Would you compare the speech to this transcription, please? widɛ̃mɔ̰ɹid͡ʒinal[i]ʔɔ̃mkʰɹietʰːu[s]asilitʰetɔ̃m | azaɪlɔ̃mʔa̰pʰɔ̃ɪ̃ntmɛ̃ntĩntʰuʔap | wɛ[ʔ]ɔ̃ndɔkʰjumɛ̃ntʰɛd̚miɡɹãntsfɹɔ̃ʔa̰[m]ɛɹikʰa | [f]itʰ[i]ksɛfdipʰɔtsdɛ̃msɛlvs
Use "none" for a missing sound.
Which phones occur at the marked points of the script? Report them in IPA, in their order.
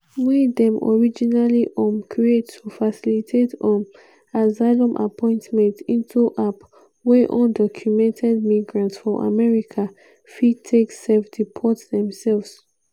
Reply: i, f, ʔ, m, f, e

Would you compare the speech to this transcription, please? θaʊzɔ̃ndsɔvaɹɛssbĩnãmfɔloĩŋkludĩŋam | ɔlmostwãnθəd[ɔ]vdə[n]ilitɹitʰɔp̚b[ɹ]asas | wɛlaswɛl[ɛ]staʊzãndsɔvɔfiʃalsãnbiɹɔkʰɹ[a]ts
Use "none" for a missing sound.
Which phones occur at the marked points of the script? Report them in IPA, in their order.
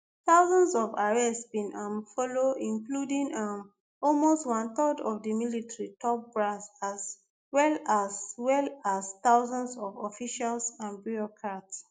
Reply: ɔ, m, ɹ, a, a

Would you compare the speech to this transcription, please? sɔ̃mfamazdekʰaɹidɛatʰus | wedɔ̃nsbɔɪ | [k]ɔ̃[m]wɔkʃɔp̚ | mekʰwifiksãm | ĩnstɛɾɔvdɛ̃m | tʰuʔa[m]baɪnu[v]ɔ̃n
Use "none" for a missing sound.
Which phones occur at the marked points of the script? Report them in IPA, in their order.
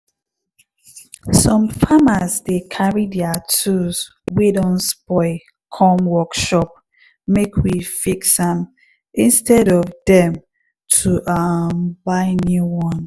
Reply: kʰ, m, m, w

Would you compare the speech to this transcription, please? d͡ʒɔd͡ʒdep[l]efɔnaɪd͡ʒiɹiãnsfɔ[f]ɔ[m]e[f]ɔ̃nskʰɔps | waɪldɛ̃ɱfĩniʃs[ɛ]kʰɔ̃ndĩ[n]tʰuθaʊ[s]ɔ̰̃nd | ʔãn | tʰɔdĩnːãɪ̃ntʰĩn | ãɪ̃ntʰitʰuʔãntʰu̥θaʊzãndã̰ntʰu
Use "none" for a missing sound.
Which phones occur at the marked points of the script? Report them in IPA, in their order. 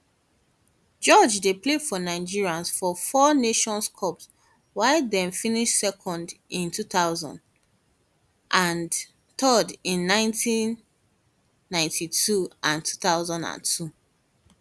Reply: l, f, n, ʃ, ɛ, n, z

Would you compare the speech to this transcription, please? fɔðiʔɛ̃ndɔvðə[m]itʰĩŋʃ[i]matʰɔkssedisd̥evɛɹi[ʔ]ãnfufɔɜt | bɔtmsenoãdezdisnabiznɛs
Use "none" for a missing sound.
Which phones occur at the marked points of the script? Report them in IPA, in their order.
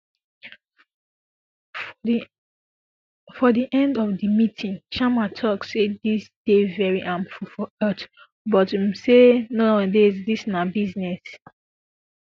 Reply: m, a, ʔ

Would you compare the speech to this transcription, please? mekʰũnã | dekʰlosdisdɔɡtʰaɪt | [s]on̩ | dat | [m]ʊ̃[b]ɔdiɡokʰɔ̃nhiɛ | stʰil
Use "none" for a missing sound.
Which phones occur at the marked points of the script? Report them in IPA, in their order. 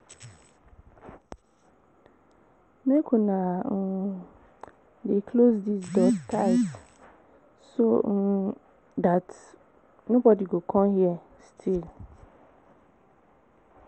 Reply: s, n, b

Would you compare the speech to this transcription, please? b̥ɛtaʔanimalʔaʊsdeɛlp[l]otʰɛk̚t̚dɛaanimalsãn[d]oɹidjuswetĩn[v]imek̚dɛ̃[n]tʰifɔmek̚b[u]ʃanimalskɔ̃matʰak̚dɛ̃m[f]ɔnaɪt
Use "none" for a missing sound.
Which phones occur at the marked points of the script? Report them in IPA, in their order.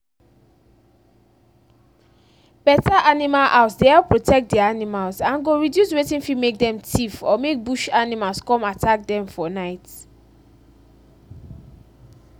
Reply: ɹ, ɡ, f, m, u, f

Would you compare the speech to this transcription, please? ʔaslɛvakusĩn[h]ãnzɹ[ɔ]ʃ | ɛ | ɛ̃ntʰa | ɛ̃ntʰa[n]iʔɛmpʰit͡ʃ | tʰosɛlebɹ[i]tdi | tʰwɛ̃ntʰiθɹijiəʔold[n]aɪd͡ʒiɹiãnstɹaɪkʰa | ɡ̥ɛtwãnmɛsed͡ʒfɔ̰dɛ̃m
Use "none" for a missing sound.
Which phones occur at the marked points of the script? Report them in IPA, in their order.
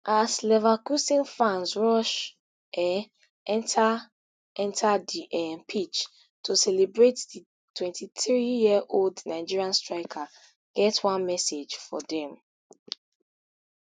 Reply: f, ɔ, d, e, n

